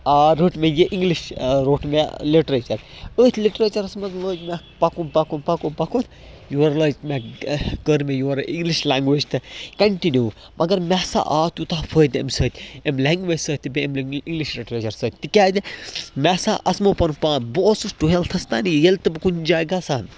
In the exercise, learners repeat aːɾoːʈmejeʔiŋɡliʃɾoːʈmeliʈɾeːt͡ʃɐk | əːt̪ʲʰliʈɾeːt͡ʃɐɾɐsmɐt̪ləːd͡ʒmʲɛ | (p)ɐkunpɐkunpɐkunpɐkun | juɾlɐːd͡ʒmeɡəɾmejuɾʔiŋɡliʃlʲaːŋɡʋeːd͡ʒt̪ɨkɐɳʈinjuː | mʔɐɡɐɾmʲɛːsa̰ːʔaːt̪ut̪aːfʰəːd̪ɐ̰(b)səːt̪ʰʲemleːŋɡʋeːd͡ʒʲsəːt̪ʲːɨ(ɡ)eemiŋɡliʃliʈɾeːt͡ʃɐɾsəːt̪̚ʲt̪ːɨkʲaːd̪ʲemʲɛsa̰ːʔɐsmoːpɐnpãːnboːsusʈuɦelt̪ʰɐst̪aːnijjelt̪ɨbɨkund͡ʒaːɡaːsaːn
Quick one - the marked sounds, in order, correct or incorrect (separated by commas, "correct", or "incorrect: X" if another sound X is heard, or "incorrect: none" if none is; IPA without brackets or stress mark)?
correct, incorrect: m, incorrect: b